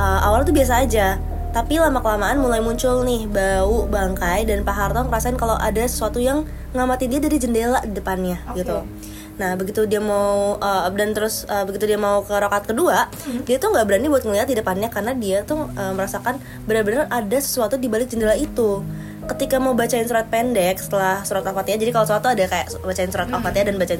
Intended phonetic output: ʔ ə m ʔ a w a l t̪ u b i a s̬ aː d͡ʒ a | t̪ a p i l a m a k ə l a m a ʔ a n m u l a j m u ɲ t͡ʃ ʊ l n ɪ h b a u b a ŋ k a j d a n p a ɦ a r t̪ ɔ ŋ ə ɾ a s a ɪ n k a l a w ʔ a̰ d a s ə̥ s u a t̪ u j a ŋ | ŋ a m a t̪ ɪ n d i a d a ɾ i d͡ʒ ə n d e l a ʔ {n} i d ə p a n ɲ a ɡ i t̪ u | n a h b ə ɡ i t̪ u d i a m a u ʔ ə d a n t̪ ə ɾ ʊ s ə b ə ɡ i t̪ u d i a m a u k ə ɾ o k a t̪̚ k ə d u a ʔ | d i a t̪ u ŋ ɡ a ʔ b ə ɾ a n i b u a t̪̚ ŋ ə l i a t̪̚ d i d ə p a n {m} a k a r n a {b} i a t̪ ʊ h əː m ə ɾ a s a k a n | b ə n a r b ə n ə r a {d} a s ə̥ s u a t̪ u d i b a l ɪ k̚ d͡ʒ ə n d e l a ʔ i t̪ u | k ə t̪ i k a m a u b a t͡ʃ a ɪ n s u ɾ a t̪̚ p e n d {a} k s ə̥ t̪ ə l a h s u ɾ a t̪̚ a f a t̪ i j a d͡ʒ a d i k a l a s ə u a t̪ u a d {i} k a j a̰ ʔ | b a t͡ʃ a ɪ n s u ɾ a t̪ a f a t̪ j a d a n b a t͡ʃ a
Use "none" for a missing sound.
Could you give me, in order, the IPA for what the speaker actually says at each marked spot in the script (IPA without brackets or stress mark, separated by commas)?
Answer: d, ɲ, d, d, ɛ, a